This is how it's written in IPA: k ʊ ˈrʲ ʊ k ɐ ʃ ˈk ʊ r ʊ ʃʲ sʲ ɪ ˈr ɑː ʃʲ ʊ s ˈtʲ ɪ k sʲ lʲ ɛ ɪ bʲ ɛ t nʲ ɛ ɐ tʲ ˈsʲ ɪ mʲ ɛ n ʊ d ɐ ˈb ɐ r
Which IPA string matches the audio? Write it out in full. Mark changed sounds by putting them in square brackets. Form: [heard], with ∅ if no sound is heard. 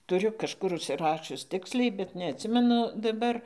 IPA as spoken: [t] ʊ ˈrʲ ʊ k ɐ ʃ ˈk ʊ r ʊ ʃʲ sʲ ɪ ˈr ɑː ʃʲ ʊ s ˈtʲ ɪ k sʲ lʲ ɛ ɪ bʲ ɛ t nʲ ɛ ɐ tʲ ˈsʲ ɪ mʲ ɛ n ʊ d ɐ ˈb ɐ r